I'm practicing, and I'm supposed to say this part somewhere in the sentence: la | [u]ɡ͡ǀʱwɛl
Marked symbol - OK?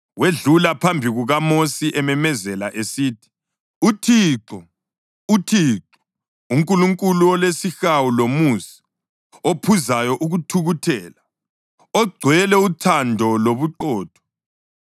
no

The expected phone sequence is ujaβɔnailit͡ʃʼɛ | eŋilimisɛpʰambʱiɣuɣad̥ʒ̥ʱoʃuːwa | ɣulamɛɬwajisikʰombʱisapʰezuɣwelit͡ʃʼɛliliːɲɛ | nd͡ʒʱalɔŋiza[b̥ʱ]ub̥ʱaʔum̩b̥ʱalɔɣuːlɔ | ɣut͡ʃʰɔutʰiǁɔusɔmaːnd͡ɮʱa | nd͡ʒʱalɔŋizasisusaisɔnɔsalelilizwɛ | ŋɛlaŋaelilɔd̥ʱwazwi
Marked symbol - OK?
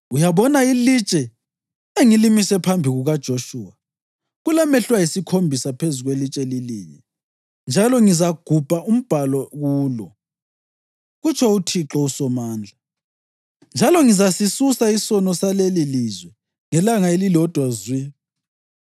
no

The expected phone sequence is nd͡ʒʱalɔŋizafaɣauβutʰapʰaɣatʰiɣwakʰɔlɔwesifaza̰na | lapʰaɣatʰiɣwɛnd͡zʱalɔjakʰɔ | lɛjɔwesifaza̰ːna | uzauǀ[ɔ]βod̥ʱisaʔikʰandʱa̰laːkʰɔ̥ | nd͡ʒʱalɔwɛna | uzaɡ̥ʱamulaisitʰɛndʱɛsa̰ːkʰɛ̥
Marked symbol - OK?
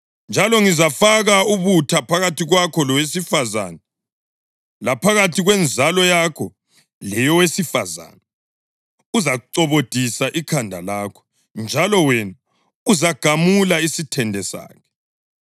yes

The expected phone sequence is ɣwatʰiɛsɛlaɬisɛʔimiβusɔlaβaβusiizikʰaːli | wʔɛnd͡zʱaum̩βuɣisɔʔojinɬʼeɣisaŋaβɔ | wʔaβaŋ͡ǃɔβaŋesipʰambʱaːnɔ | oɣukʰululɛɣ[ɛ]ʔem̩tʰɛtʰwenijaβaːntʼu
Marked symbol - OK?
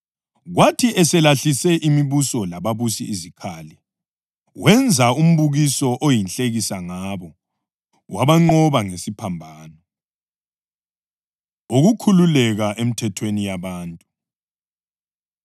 no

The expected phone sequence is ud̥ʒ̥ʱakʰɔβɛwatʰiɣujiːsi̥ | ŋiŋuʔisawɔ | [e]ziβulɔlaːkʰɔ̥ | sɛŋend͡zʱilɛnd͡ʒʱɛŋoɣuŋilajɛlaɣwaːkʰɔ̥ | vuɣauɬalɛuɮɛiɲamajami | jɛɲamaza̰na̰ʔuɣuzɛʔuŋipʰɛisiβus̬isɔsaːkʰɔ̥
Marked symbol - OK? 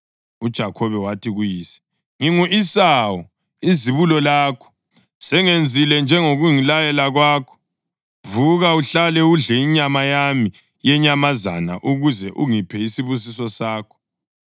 no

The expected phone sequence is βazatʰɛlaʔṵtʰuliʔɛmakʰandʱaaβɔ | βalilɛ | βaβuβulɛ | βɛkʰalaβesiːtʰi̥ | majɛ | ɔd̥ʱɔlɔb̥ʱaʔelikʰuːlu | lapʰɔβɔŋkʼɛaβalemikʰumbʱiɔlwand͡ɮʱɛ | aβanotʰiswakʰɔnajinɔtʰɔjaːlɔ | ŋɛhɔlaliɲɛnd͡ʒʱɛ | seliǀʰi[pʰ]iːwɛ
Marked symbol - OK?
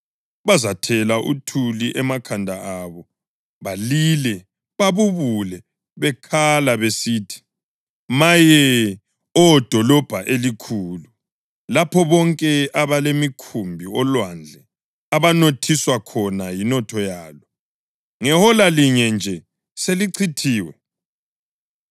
no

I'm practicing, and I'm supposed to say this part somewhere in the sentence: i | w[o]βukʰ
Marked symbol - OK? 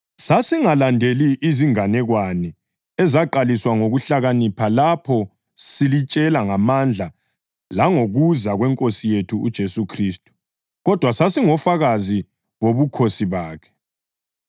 yes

